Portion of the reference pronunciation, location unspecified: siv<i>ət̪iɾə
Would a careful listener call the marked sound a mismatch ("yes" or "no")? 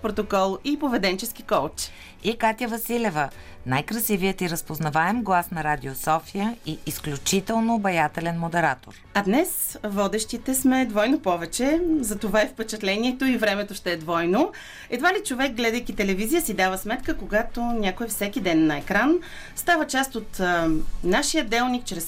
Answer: no